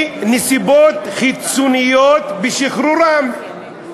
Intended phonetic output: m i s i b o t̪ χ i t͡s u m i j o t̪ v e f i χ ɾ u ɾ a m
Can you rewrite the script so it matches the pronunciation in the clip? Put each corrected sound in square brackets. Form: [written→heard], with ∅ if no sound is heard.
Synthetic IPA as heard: [m→n] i s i b o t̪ χ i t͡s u [m→n] i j o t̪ [v→b] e [f→ʃ] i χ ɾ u ɾ a m